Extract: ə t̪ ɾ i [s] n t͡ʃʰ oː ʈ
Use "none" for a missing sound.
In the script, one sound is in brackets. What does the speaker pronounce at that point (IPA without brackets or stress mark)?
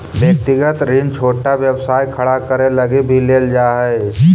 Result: none